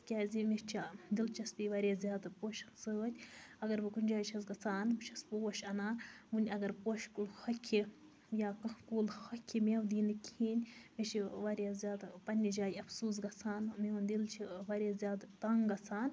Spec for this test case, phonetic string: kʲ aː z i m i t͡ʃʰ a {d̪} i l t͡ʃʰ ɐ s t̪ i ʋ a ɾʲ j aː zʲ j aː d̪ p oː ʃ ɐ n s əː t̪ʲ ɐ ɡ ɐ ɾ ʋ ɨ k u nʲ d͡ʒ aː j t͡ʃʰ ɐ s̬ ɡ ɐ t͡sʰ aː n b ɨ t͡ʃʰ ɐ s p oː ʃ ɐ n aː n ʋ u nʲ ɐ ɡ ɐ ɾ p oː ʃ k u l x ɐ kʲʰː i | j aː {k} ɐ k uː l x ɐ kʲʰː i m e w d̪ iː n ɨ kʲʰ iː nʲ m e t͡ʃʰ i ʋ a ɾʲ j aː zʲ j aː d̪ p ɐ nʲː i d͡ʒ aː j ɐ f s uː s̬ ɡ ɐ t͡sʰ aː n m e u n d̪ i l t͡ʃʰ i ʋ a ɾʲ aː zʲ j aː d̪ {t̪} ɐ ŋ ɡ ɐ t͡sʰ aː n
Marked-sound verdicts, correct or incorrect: correct, correct, correct

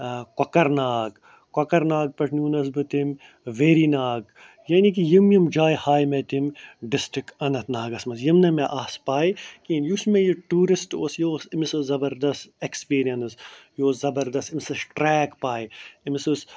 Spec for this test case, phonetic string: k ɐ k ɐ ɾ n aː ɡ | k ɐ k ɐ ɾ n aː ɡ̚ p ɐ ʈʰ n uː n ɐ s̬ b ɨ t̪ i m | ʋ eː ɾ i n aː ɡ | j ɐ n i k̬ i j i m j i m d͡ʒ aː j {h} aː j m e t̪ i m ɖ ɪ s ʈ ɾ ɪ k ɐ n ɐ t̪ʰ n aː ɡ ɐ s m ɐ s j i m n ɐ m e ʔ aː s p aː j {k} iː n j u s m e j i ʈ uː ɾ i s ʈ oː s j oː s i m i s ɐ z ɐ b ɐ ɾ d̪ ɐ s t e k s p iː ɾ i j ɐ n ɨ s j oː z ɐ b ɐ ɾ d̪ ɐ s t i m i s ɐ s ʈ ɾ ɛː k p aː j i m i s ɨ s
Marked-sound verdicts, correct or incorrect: correct, correct

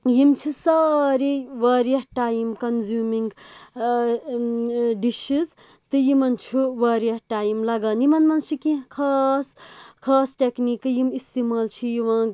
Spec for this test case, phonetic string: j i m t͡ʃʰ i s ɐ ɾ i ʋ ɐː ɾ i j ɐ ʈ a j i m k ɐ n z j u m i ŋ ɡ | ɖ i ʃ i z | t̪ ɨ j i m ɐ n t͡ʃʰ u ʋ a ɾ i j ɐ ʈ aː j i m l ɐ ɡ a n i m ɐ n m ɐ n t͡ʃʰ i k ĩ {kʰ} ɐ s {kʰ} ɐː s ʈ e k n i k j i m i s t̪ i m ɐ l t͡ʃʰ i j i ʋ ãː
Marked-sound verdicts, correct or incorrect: correct, correct

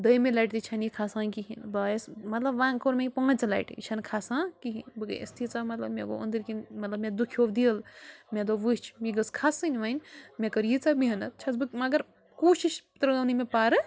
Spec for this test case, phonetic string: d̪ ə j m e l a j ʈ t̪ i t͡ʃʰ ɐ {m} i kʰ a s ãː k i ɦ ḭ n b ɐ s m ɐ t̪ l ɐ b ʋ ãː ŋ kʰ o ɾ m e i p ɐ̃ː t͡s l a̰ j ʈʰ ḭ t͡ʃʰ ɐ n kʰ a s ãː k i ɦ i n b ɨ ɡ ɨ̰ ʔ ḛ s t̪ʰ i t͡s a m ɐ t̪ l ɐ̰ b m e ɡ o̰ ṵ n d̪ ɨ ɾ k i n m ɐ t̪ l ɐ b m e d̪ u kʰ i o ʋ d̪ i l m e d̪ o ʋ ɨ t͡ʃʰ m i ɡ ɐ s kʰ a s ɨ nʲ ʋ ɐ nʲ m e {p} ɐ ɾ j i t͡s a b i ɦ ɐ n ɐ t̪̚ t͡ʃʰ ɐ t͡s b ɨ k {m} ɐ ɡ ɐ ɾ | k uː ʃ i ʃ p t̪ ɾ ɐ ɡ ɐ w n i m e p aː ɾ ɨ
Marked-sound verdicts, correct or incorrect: incorrect: n, incorrect: k, correct

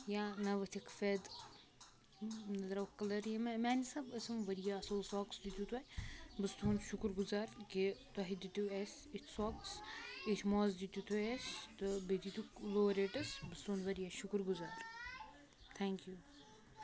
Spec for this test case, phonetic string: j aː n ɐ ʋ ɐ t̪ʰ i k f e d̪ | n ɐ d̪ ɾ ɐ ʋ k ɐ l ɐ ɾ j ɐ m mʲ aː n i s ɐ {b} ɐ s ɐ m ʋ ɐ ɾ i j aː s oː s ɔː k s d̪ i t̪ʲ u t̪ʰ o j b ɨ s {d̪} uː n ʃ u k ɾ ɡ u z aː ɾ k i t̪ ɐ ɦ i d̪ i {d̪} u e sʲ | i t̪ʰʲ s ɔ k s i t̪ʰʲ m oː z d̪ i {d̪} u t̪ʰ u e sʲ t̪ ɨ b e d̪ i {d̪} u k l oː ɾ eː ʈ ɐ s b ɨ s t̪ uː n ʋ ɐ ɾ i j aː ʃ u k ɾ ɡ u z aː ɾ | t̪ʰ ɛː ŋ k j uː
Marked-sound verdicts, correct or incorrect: correct, incorrect: t̪, incorrect: t̪, incorrect: t̪, incorrect: t̪

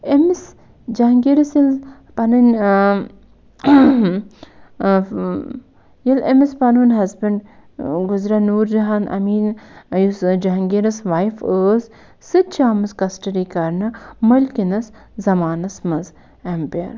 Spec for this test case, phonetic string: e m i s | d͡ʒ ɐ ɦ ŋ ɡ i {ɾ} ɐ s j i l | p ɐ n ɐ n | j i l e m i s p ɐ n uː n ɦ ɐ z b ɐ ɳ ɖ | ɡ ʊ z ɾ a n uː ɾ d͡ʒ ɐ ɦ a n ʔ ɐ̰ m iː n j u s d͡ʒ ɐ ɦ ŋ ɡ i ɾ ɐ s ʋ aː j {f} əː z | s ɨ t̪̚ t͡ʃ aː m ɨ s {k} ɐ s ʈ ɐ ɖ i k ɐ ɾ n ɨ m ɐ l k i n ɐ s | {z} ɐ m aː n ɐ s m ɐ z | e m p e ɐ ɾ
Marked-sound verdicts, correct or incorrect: correct, correct, correct, correct

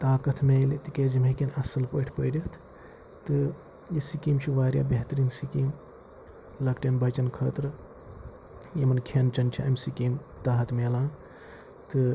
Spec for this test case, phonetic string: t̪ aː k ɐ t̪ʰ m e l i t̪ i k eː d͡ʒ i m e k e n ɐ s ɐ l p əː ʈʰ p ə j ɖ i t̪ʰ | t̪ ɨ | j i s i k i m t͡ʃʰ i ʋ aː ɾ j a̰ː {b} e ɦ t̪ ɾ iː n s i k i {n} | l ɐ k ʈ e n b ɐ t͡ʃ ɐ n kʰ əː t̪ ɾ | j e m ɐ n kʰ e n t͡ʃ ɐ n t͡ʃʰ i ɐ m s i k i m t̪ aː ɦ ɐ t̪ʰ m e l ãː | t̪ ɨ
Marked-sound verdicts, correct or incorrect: correct, incorrect: m

